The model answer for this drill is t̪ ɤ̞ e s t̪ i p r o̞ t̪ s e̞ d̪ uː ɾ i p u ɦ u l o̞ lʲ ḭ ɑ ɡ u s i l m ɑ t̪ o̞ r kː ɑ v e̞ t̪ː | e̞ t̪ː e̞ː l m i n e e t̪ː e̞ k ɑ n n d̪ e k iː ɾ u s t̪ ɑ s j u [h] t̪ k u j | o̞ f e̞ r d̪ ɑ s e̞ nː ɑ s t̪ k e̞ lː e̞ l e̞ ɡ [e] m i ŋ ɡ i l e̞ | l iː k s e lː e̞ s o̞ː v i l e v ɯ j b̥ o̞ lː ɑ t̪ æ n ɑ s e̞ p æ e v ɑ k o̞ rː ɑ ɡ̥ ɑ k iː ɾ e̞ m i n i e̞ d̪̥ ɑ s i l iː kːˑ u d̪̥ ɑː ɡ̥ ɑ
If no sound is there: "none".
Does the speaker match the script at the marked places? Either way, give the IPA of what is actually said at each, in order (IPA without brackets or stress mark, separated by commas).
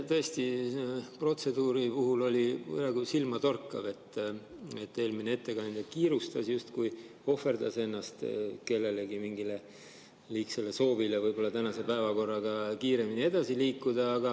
s, i